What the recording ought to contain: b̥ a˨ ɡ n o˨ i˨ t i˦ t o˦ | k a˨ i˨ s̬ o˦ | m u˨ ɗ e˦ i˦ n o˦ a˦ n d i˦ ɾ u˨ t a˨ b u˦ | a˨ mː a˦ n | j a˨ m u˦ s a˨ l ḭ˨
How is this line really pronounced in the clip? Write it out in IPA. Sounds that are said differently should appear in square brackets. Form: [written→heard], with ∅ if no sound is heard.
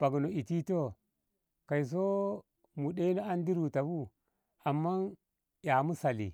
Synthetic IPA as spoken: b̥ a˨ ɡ n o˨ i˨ t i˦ t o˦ | k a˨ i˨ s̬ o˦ | m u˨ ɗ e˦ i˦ n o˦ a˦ n d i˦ ɾ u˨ t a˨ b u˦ | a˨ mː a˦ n | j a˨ m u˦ s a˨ l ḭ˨